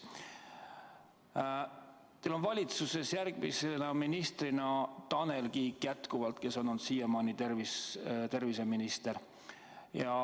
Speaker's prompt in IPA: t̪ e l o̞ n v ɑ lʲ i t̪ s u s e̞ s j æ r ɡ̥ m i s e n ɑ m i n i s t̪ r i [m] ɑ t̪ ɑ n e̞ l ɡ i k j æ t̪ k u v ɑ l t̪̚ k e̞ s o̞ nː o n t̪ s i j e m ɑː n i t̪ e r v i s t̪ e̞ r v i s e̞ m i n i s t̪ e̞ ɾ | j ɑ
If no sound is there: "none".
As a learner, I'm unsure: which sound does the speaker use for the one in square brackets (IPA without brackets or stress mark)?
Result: n